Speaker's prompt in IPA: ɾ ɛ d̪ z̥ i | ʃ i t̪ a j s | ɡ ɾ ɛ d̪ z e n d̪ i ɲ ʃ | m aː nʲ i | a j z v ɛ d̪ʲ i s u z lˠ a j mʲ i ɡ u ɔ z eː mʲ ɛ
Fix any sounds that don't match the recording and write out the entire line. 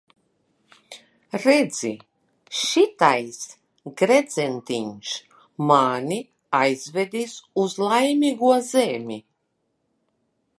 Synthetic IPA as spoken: ɾ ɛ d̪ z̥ i | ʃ i t̪ a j s | ɡ ɾ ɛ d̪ z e n t̪ i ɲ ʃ | m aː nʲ i | a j z v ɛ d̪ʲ i s u z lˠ a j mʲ i ɡ u ɔ z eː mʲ i